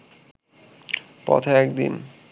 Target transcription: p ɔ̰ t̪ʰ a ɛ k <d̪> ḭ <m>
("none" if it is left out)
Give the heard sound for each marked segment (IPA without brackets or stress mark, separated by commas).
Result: d̪, n